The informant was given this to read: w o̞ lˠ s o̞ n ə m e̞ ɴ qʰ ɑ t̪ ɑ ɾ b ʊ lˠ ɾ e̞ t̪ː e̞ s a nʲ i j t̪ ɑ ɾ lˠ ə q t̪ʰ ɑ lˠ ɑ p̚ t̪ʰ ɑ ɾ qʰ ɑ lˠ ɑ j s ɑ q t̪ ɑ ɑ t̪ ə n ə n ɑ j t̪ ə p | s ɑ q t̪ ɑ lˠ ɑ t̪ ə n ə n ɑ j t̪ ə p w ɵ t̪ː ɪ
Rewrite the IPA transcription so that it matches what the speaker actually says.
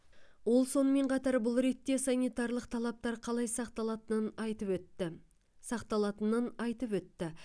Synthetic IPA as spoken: w o̞ lˠ s o̞ n ə m e̞ ɴ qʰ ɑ t̪ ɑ ɾ b ʊ lˠ ɾ e̞ t̪ː e̞ s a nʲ i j t̪ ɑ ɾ lˠ ə q t̪ʰ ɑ lˠ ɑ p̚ t̪ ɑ ɾ qʰ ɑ lˠ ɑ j s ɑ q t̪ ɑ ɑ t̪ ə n ə n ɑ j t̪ ə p | s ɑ q t̪ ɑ lˠ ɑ t̪ ə n ə n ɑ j t̪ ə p w ɵ t̪ː ɪ